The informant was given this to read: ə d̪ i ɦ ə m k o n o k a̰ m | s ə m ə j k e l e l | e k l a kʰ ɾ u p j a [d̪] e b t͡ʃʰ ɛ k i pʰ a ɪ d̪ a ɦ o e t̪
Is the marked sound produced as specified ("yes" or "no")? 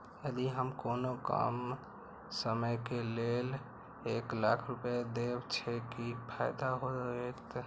yes